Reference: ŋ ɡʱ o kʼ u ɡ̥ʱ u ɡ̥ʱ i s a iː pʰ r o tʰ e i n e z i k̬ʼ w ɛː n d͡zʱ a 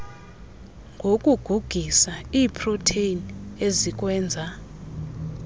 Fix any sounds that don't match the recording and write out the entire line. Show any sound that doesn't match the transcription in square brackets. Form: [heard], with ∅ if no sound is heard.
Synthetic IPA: ŋ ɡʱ o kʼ u ɡ̥ʱ u ɡ̥ʱ i s a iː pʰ r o tʰ e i n e z i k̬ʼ w ɛː n d͡zʱ a